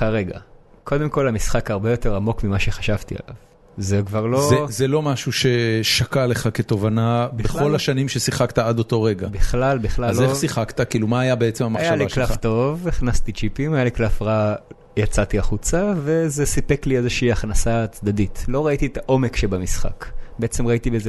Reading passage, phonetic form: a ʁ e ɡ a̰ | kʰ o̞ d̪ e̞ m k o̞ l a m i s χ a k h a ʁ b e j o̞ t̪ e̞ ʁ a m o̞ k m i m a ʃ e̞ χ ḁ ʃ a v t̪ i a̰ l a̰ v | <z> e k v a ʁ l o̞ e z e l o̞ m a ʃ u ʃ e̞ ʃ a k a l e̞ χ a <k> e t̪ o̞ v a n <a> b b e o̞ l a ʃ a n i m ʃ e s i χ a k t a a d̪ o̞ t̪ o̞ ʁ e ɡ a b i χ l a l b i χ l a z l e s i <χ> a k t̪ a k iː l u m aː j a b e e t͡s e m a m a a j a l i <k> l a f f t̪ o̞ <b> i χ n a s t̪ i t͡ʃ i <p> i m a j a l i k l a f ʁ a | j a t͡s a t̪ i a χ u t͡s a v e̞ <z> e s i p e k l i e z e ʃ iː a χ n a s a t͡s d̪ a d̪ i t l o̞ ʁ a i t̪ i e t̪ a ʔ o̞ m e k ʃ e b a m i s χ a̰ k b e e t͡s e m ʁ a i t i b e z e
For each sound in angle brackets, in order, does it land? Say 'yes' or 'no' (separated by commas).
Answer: yes, yes, yes, yes, yes, no, yes, yes